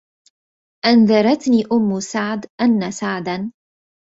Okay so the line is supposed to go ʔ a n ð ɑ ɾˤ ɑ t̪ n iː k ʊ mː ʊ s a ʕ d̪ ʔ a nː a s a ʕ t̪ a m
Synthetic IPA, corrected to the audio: ʔ a n ð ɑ ɾˤ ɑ t̪ n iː ʔ ʊ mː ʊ s a ʕ d̪ ʔ a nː a s a ʕ d̪ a n